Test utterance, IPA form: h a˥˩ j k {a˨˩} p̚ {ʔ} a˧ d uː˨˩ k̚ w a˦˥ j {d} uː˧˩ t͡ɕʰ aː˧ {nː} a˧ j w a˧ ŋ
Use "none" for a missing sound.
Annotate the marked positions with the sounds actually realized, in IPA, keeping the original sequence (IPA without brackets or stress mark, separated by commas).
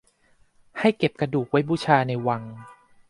e˨˩, k, b, n